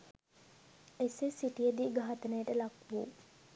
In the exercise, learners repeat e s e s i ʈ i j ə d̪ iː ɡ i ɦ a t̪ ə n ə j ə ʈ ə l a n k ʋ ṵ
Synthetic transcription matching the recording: e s e s i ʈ i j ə d̪ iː ɡ a ɦ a t̪ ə n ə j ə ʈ ə l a k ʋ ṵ